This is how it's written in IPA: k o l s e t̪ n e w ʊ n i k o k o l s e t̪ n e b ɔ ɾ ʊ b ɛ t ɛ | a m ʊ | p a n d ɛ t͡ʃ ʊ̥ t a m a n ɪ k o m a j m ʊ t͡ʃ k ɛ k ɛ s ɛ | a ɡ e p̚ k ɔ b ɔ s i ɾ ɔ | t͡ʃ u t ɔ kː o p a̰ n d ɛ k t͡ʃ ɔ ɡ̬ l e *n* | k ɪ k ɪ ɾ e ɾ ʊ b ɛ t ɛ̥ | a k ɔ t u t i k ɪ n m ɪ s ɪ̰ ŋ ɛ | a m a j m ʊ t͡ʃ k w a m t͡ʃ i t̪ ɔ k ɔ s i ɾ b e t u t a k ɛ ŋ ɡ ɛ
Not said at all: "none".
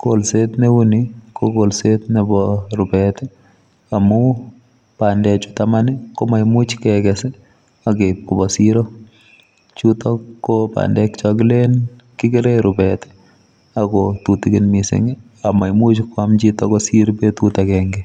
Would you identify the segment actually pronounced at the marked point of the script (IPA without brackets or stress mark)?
n